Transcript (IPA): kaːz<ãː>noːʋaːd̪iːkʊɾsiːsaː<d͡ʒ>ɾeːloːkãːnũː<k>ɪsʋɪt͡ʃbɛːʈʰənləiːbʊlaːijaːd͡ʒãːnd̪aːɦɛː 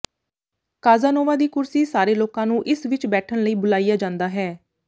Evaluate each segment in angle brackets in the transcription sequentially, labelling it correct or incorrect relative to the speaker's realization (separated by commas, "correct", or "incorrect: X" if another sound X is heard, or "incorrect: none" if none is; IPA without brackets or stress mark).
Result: incorrect: aː, incorrect: none, incorrect: ʔ